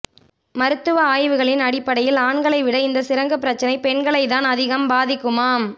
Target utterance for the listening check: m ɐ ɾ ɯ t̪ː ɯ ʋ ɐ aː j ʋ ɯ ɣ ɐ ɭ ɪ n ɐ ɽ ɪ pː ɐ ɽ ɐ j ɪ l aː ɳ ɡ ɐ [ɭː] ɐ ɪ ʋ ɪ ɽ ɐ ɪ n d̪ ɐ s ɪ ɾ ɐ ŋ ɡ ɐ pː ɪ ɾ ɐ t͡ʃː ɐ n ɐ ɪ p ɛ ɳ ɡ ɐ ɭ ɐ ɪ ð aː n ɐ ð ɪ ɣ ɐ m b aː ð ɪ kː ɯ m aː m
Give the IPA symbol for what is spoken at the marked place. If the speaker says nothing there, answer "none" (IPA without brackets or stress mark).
ɭ